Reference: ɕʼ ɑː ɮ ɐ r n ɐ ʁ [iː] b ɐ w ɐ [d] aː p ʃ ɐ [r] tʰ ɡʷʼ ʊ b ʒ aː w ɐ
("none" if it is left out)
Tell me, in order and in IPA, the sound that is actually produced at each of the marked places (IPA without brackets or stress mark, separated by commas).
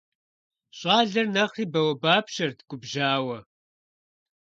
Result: iː, b, r